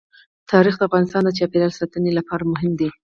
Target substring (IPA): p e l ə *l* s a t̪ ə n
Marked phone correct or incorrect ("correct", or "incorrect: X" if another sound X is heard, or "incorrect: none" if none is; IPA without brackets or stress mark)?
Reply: correct